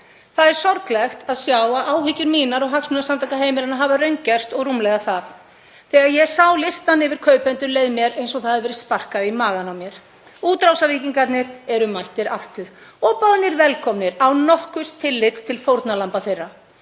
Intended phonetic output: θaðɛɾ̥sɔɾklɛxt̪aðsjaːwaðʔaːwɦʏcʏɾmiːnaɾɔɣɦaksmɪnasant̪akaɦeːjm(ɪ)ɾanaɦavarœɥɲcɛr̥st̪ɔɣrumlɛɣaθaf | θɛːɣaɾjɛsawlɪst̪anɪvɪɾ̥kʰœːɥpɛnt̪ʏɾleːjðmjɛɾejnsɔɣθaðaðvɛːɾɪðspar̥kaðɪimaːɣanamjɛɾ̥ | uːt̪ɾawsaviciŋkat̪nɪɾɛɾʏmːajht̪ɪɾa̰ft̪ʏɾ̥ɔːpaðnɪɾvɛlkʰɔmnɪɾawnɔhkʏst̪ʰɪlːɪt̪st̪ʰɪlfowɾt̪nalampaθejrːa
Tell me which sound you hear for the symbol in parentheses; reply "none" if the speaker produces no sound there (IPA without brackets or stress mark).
ɪ